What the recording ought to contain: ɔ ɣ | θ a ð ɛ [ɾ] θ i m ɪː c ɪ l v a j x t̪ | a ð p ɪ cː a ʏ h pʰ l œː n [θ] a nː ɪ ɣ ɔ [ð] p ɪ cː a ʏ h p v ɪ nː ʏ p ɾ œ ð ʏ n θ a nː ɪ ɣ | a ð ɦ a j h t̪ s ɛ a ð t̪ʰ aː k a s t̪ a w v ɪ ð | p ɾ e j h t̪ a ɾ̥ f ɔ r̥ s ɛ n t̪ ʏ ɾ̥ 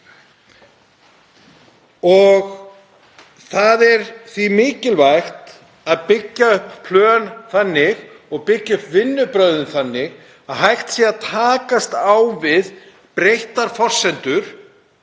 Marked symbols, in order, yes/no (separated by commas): yes, yes, no